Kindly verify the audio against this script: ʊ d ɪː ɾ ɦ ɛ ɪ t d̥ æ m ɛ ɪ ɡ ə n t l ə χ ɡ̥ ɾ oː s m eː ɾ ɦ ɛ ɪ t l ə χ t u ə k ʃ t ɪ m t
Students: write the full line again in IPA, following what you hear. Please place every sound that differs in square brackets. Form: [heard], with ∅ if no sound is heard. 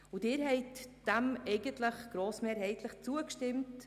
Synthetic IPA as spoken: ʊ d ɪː ɾ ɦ ɛ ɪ t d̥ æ m ɛ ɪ ɡ ə n t l ə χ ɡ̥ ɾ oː s m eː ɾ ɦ ɛ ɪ t l ə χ [t͡s] u ə k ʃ t ɪ m t